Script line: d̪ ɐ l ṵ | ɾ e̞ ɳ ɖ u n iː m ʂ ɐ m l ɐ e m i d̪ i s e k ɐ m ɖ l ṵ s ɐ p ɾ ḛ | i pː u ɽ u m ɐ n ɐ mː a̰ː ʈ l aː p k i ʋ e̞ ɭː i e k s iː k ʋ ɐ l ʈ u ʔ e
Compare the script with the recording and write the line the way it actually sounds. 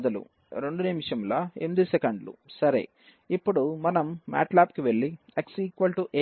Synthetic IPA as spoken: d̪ ɐ l ṵ | ɾ e̞ ɳ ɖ u n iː m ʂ ɐ m l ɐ e m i d̪ i s e k ɐ ɳ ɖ l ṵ s ɐ ɾ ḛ | i pː u ɽ u m ɐ n ɐ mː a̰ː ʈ l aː p k i ʋ e̞ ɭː i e k s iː k ʋ ɐ l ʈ u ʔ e